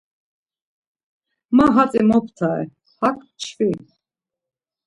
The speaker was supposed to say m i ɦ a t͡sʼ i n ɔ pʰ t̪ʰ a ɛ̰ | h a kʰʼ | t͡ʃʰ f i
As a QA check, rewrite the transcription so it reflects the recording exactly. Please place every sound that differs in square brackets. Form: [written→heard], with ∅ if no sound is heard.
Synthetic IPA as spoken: m [i→a] ɦ a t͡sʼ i [n→m] ɔ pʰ t̪ʰ a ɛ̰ | h a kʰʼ | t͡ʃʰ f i